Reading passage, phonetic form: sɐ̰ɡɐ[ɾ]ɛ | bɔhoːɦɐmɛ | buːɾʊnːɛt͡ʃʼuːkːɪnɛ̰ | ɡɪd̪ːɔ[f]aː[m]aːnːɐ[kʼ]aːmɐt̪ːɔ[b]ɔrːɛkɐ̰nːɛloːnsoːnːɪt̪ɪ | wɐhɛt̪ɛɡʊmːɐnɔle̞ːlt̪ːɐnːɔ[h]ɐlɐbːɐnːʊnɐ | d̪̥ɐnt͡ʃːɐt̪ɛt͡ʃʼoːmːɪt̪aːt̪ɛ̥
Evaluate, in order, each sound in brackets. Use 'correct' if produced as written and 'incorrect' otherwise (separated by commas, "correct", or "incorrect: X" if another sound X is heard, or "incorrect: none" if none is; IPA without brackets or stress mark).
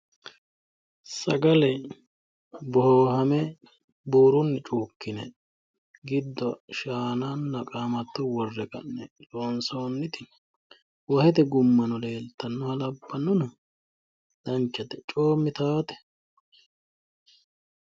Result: incorrect: l, incorrect: ʃ, incorrect: n, correct, incorrect: w, correct